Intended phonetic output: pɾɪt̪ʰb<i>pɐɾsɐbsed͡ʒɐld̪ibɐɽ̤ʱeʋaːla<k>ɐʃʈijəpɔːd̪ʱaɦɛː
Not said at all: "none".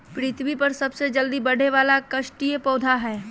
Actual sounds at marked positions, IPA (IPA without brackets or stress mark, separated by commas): i, k